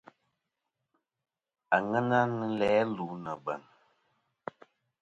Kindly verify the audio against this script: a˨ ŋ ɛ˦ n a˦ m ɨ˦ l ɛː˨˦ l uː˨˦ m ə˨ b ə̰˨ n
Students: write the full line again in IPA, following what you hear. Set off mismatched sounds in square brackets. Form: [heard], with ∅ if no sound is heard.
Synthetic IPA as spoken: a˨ ŋ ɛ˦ n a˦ [n] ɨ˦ l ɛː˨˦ l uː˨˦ [n] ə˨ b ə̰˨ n